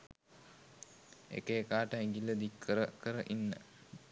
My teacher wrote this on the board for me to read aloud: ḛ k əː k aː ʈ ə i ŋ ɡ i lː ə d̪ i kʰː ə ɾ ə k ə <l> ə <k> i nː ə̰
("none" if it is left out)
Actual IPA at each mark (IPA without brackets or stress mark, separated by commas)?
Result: ɾ, ʔ